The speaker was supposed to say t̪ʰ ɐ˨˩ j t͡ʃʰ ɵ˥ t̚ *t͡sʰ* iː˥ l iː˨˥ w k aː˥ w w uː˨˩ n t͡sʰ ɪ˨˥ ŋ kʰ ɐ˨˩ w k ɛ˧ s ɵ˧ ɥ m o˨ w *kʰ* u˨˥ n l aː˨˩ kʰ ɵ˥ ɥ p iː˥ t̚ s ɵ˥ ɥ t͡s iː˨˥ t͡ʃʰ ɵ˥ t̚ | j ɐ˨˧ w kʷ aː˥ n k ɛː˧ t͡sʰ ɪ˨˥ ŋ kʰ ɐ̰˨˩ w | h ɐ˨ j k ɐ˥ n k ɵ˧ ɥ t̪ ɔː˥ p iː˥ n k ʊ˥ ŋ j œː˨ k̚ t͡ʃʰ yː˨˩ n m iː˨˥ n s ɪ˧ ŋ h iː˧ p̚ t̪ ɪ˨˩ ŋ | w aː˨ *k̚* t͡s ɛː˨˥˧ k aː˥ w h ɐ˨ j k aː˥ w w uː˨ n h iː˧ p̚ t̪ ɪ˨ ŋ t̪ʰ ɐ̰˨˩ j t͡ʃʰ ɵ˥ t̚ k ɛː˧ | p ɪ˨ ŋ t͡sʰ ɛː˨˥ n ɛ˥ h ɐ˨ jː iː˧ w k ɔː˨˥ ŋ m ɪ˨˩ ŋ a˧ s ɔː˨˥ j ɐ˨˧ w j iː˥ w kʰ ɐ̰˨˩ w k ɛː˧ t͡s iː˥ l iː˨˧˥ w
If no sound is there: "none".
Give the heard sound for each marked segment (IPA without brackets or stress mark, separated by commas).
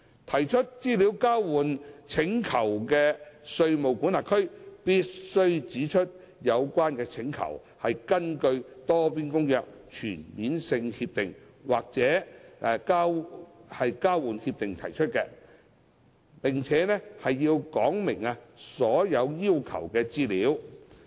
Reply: t͡s, k, k̚